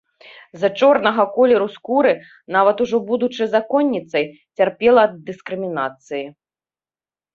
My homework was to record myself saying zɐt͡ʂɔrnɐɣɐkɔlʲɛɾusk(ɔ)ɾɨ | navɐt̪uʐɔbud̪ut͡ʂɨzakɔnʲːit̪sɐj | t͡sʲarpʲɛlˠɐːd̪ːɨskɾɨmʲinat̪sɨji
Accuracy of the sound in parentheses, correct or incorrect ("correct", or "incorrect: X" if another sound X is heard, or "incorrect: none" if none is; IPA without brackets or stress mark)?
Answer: incorrect: u